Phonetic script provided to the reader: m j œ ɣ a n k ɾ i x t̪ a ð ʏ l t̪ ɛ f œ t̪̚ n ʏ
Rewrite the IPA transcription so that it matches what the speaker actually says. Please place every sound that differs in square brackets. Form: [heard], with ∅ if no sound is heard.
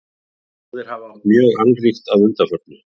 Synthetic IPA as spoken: m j [œː] ɣ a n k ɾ i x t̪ a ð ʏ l t̪ [a] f œ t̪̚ n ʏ